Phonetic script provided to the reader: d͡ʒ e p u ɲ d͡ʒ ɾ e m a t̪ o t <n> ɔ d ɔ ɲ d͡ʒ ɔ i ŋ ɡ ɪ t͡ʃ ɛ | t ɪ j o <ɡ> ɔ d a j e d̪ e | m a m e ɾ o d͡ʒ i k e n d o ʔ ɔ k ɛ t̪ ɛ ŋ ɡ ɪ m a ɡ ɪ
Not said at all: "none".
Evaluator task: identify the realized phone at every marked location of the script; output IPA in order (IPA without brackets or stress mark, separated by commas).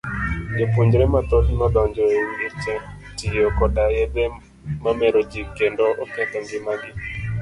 n, k